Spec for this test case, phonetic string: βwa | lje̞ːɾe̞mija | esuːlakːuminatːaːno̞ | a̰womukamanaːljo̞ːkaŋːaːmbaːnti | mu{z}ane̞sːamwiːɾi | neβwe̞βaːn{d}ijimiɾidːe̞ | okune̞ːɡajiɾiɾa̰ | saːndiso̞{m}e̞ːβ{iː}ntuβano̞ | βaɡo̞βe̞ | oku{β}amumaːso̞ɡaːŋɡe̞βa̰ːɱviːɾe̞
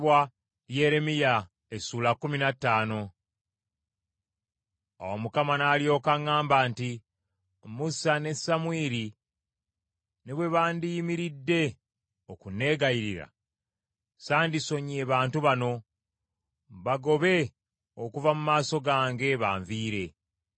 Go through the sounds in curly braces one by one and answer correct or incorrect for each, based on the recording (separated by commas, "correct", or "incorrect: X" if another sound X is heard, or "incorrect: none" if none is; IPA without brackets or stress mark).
incorrect: s, correct, incorrect: ɲ, incorrect: aː, incorrect: v